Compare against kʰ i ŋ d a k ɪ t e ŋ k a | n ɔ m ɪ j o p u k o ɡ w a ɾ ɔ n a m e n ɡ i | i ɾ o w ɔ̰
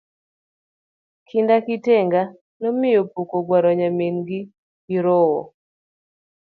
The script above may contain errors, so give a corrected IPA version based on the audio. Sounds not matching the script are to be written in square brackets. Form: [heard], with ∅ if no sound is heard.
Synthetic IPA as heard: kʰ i [n] d a k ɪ t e ŋ [ɡ] a | n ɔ m ɪ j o p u k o ɡ w a ɾ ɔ [ɲ] a m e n ɡ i | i ɾ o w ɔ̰